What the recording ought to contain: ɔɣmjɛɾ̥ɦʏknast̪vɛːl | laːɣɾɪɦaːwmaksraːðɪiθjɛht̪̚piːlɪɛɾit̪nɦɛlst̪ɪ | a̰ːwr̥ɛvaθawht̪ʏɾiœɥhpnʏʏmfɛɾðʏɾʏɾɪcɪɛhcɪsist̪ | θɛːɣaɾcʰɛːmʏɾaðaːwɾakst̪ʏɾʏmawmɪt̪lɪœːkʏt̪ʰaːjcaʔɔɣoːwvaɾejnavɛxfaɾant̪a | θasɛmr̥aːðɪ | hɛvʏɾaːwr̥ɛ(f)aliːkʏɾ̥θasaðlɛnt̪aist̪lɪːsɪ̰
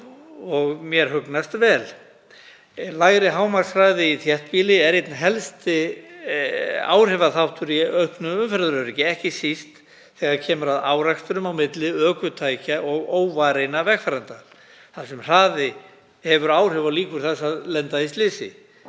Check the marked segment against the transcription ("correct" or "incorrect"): incorrect